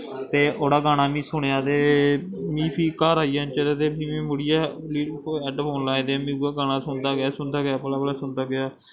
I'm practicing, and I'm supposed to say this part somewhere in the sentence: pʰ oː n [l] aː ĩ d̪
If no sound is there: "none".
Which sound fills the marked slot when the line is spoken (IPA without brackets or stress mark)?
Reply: l